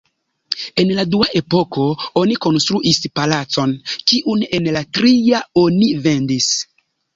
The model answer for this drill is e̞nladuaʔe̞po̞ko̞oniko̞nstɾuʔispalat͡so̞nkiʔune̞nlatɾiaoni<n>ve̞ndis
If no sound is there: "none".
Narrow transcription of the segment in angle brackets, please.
none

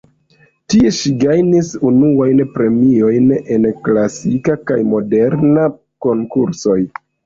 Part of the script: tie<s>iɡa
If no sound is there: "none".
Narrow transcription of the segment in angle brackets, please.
ʃ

